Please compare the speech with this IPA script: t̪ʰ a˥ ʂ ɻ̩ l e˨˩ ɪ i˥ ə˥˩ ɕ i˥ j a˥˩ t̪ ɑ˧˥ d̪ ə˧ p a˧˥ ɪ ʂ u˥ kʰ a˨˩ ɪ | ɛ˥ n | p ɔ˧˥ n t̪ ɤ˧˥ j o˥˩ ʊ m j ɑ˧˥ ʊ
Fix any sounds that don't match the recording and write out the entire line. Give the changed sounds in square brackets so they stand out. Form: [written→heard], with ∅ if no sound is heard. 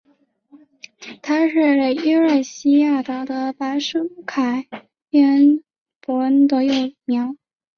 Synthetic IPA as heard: t̪ʰ a˥ ʂ ɻ̩ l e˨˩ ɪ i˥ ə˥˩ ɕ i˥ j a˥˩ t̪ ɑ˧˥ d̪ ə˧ p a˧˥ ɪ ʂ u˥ kʰ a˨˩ ɪ | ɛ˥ n | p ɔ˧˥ n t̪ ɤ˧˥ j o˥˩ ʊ m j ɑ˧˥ ʊ